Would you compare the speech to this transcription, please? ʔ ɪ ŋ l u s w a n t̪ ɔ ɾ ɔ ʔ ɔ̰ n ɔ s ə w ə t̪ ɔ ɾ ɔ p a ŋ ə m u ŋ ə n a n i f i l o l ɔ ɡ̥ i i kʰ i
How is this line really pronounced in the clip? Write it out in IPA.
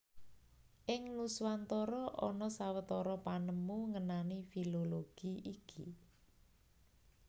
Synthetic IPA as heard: ʔ ɪ ŋ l u s w a n t̪ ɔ ɾ ɔ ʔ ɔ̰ n ɔ s a w ə t̪ ɔ ɾ ɔ p a n ə m u ŋ ə n a n i f i l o l o ɡ̥ i i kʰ i